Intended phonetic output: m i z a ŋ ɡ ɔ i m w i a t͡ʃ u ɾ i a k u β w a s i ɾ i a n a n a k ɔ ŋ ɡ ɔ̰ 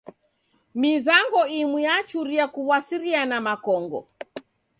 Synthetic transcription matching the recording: m i z a ŋ ɡ ɔ i m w i a t͡ʃ u ɾ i a k u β w a s i ɾ i a n a m a k ɔ ŋ ɡ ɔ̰